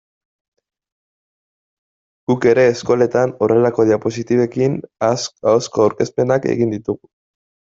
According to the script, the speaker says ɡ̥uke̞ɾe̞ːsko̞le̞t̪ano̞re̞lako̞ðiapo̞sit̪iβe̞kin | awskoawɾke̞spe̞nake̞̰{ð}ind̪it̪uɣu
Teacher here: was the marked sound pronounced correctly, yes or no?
no